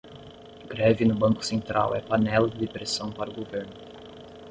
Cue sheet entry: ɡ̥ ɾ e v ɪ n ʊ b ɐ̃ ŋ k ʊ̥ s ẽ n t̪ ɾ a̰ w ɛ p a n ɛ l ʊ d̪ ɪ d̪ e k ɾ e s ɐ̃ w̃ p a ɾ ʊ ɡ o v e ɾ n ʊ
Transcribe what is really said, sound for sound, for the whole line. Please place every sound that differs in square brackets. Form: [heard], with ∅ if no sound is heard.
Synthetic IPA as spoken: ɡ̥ ɾ [ɛ] v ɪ n ʊ b ɐ̃ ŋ k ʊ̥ s ẽ n t̪ ɾ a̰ w ɛ p a n ɛ l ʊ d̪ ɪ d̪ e [p] ɾ e s ɐ̃ w̃ p a ɾ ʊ ɡ o v e ɾ n ʊ